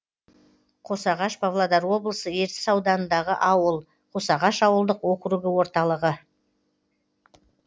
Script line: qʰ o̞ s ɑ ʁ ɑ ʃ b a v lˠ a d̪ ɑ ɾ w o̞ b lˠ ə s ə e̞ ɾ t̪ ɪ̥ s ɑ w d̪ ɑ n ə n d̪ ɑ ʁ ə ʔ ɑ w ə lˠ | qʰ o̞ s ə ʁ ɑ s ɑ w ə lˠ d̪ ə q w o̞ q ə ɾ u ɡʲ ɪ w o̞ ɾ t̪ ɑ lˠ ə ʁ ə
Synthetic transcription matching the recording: qʰ o̞ s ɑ ʁ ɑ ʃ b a v lˠ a d̪ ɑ ɾ w o̞ b lˠ ə s ə e̞ ɾ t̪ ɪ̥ s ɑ w d̪ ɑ n ə n d̪ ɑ ʁ ə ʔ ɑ w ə lˠ | qʰ o̞ s ɑ ʁ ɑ ʃ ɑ w ə lˠ d̪ ə q w o̞ q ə ɾ u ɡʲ ɪ w o̞ ɾ t̪ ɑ lˠ ə ʁ ə